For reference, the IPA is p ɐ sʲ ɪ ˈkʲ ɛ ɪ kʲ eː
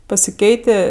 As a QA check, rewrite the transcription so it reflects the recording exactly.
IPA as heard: p ɐ sʲ ɪ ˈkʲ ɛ ɪ tʲ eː